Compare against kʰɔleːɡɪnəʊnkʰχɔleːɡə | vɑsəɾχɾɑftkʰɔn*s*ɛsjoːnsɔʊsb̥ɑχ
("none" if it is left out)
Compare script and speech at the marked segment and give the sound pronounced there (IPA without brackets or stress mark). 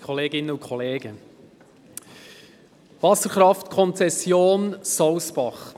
t͡s